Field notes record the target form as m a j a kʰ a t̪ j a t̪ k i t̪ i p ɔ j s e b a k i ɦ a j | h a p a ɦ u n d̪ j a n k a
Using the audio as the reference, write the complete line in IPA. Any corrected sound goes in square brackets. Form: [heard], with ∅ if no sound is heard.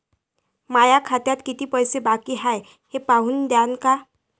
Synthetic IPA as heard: m a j a kʰ a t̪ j a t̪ k i t̪ i p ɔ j s e b a k i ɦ a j | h [e] p a ɦ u n d̪ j a n k a